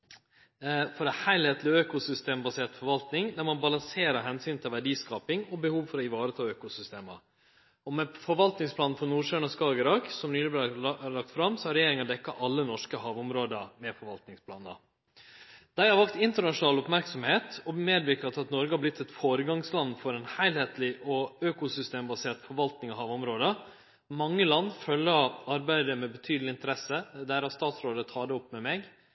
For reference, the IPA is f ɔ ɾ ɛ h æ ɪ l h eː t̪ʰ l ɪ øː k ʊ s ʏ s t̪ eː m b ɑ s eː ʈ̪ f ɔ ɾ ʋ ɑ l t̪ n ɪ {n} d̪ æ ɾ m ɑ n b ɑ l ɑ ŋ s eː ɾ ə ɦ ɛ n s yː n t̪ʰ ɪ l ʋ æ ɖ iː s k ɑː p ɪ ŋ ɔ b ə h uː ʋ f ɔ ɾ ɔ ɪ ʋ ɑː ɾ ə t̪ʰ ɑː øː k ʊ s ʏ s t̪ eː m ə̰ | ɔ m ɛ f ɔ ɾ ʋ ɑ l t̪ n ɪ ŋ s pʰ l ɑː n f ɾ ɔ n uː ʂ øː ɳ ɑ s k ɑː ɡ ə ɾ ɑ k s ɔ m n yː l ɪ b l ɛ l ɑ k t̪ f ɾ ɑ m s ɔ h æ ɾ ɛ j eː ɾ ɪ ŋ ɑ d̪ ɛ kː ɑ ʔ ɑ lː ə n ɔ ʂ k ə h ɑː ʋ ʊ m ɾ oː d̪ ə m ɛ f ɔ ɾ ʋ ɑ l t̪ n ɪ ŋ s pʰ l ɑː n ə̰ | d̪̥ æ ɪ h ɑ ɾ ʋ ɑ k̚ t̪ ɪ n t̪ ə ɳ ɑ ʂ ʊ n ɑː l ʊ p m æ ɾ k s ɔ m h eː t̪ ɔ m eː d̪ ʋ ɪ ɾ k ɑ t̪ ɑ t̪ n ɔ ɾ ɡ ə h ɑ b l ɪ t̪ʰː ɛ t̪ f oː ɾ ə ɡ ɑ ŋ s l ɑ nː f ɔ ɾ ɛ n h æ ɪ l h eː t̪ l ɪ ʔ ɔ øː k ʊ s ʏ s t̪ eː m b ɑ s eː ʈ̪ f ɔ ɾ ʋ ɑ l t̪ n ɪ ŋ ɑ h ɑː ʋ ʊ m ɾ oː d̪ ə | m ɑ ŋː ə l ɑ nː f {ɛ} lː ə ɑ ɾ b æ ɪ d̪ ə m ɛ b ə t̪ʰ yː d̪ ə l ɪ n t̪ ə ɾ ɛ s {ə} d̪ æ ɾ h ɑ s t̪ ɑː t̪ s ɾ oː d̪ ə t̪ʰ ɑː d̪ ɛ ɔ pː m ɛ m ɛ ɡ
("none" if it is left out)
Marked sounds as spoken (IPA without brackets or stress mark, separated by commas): ŋ, œ, ə